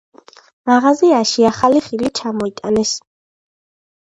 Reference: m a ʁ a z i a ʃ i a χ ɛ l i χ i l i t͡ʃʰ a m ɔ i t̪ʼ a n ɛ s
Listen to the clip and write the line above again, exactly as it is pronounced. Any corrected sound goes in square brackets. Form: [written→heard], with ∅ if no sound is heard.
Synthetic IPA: m a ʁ a z i a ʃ i a χ [ɛ→a] l i χ i l i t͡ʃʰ a m ɔ i t̪ʼ a n ɛ s